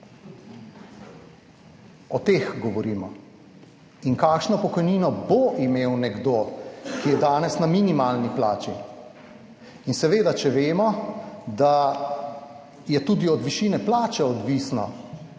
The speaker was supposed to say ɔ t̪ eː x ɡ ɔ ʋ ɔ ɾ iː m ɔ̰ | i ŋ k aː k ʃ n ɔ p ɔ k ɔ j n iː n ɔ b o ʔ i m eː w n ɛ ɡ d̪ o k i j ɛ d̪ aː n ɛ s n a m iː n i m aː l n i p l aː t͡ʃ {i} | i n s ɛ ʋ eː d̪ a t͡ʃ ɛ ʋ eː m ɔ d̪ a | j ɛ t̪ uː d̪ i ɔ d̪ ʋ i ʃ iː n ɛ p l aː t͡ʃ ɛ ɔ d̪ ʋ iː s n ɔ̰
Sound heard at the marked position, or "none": i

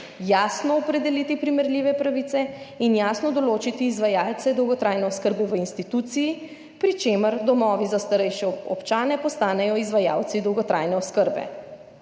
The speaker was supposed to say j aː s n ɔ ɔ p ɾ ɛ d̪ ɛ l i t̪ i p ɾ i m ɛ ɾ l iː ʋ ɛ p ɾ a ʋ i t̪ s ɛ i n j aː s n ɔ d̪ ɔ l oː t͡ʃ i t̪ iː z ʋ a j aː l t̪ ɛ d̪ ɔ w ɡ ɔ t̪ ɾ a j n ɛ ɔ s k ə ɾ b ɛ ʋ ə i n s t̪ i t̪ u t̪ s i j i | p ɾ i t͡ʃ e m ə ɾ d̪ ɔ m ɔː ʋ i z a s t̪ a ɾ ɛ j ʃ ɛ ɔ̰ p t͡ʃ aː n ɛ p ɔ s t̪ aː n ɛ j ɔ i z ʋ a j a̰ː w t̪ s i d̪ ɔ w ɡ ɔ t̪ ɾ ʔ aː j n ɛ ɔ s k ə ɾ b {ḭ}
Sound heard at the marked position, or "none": ɛ̰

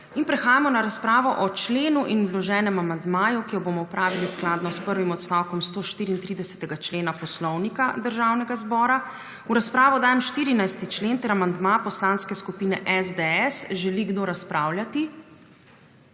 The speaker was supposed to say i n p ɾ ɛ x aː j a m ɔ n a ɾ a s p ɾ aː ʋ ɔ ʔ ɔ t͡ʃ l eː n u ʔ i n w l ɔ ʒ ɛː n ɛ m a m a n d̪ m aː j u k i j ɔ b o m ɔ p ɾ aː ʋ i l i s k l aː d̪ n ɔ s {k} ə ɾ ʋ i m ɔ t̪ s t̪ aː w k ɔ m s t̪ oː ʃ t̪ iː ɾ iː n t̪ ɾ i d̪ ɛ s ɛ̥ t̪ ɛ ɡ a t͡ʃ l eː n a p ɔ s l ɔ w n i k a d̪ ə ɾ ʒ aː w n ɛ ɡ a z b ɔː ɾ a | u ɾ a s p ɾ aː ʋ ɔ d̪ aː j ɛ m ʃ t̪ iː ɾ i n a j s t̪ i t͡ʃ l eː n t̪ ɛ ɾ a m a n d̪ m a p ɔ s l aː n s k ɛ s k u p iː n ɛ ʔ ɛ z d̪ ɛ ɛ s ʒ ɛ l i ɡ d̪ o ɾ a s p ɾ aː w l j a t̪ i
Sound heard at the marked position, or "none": p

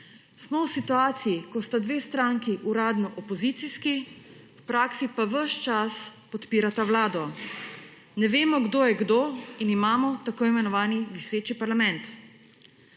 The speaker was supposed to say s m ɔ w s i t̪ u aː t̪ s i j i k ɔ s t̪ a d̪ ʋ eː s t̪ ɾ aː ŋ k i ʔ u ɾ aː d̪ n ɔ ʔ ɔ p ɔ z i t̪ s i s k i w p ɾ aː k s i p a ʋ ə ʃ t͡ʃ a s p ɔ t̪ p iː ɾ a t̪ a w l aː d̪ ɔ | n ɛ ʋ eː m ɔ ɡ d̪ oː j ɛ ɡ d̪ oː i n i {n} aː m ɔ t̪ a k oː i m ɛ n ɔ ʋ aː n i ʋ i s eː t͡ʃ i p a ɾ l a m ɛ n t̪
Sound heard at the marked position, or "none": m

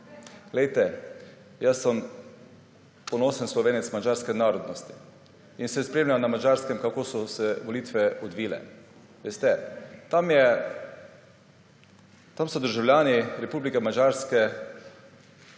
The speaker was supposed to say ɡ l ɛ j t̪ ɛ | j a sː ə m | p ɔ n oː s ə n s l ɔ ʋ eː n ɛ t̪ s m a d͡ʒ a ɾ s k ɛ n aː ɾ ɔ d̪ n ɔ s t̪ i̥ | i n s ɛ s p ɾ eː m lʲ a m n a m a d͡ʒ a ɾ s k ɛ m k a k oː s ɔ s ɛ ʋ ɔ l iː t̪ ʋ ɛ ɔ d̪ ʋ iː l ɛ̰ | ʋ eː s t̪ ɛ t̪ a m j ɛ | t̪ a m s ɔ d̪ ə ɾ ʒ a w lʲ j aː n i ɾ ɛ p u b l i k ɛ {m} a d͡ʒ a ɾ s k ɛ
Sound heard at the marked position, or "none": m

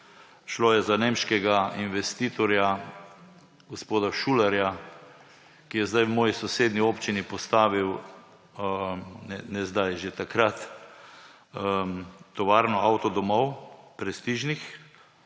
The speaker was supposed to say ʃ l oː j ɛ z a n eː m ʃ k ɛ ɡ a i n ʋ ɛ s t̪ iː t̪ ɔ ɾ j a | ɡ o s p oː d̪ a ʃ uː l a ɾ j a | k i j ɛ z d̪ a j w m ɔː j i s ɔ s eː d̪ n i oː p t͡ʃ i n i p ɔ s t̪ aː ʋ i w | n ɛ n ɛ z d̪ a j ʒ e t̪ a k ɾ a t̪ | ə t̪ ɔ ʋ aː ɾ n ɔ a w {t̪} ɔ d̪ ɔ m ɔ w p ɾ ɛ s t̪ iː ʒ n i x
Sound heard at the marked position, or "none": t̪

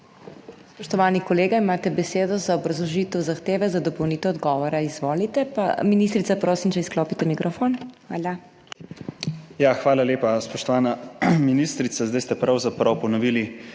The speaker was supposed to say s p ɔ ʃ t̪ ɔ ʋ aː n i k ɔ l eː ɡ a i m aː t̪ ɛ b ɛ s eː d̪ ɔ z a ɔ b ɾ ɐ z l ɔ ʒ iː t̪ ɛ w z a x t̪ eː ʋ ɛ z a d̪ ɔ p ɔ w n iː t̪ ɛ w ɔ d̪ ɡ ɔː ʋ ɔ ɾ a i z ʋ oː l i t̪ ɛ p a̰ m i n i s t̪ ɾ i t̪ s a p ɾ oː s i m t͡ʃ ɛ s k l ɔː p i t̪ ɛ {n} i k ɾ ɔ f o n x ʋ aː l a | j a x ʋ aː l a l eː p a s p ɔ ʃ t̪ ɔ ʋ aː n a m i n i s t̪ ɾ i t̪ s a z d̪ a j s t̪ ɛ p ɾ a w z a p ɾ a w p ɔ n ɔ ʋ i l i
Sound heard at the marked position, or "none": m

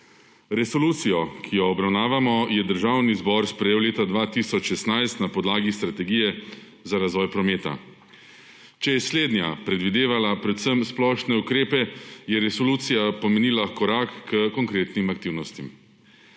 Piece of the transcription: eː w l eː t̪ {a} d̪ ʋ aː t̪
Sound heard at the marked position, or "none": a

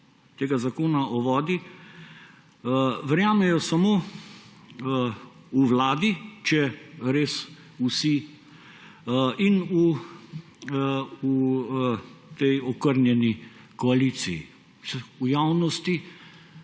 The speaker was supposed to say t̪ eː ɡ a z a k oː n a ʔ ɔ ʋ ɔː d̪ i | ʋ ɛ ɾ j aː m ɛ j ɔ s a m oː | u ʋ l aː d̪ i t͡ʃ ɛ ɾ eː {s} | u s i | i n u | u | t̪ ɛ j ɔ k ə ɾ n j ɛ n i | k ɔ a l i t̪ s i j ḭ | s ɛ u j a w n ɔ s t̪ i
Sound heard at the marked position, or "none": s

